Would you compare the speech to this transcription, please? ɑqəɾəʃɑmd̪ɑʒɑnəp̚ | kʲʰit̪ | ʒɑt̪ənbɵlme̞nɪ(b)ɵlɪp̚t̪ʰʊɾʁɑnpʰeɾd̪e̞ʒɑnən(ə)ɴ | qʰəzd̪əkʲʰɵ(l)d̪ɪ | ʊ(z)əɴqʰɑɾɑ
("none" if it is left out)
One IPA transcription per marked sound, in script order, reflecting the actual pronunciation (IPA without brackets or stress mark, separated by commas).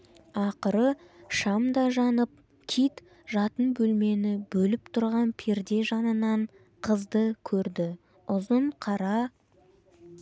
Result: b, ɑ, ɾ, z